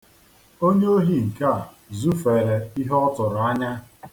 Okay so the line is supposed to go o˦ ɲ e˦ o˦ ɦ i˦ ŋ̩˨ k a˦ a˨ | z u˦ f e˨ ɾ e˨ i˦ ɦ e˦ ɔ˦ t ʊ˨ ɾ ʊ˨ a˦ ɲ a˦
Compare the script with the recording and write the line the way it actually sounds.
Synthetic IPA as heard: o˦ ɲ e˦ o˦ ɦ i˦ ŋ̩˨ k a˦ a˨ | z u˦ f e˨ ɾ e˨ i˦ ɦ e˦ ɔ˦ t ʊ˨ ɾ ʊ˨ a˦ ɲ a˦